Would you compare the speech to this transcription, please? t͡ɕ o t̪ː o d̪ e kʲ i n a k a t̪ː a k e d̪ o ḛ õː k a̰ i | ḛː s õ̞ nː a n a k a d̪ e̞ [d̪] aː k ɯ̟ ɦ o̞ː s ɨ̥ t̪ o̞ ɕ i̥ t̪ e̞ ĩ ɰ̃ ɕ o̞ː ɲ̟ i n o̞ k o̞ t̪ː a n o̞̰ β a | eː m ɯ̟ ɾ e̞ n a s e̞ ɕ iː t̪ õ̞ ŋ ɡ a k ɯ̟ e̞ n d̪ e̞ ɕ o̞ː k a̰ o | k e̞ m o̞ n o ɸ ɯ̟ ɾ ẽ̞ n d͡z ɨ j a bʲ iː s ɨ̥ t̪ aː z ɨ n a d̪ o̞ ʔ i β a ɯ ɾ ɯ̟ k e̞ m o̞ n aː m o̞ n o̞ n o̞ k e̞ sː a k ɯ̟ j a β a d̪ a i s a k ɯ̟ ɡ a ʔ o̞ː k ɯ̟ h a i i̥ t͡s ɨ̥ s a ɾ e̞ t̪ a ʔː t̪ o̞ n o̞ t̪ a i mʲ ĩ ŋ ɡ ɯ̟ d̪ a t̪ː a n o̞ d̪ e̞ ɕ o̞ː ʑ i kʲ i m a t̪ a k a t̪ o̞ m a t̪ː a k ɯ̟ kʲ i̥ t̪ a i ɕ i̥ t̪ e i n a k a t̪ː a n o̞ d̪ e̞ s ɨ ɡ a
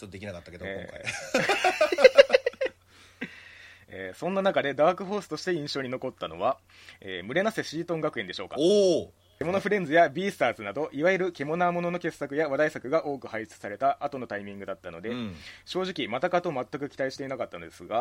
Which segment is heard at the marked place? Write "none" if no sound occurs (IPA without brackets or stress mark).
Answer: d̪